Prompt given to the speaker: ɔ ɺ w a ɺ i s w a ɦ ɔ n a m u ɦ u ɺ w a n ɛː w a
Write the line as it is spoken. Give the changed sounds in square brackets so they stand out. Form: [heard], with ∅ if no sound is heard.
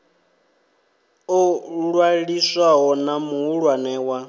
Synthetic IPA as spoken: ɔ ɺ w a ɺ i s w a ɦ ɔ n a m u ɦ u ɺ w a n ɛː w a